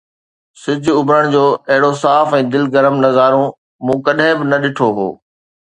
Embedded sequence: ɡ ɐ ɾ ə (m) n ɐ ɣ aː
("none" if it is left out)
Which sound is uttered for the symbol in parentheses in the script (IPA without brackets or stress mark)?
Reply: m